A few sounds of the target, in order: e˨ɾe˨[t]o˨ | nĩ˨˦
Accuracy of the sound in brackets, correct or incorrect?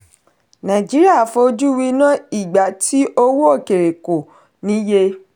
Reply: incorrect